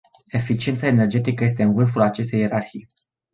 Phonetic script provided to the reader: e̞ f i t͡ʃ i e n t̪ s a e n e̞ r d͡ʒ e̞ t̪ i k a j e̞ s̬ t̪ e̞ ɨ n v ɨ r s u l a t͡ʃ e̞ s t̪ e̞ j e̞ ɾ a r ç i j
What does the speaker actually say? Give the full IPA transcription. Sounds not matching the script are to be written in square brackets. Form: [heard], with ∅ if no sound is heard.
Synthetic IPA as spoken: e̞ f i t͡ʃ i e n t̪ s a e n e̞ r d͡ʒ e̞ t̪ i k [ə] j e̞ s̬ t̪ e̞ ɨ n v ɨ r [f] u l a t͡ʃ e̞ s t̪ e̞ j e̞ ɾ a r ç i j